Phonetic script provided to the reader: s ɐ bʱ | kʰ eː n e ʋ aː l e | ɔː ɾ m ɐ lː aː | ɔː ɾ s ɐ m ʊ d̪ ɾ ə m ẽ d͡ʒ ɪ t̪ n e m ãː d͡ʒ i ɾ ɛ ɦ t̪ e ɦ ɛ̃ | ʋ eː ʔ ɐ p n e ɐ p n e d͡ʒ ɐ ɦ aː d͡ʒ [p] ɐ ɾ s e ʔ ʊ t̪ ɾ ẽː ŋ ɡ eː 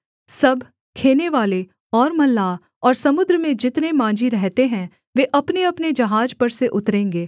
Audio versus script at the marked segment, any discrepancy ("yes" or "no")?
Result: no